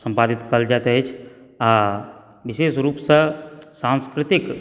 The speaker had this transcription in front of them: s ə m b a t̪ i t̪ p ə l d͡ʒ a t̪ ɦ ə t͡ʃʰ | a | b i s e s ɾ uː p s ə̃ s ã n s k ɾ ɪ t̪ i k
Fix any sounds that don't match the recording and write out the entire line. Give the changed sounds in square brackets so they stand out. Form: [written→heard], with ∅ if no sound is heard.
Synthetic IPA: s ə m [b→p] a [t̪→d̪] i t̪ [p→k] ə l d͡ʒ a t̪ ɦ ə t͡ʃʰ | a | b i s e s ɾ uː p s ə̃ s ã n s k ɾ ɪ t̪ i k